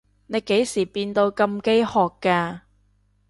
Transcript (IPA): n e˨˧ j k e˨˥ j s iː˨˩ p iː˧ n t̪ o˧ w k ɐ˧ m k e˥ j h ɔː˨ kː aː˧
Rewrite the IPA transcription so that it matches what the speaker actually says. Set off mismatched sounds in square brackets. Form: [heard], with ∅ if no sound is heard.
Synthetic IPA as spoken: n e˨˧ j k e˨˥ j s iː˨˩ p iː˧ n t̪ o˧ w k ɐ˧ m k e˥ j h ɔː˨ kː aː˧